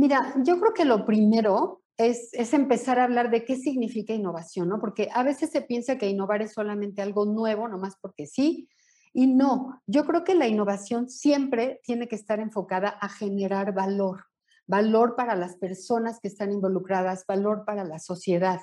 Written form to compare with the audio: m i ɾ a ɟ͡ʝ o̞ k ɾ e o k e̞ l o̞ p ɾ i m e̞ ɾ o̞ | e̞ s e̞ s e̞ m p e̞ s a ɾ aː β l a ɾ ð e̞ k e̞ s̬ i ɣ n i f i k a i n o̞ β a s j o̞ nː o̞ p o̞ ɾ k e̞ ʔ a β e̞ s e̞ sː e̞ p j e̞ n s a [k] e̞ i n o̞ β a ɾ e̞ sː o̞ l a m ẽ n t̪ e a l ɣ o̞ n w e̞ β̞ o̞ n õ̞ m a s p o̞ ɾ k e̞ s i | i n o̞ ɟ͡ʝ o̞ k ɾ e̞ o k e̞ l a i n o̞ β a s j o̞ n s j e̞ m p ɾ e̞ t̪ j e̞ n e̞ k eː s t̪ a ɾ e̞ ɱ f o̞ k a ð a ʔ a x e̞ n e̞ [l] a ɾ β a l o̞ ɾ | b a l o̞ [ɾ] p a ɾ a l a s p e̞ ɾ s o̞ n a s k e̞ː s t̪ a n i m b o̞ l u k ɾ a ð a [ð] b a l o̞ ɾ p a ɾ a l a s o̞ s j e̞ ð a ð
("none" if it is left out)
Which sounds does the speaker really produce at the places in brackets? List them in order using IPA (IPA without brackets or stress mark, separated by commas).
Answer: k, ɾ, ɾ, z